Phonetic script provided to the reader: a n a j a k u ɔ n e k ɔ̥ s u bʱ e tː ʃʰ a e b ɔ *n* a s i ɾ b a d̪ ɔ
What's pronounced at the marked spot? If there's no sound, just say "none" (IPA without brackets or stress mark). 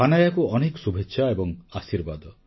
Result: ŋ